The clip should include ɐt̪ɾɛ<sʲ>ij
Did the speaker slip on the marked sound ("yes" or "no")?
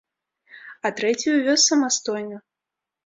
yes